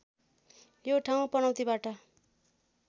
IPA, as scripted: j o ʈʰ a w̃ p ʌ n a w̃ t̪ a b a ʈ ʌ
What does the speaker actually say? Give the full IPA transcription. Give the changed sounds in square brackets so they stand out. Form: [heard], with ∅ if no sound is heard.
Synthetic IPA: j o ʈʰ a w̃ p ʌ n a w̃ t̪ [i] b a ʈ ʌ